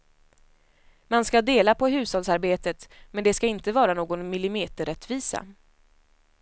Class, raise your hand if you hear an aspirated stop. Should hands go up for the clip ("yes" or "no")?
no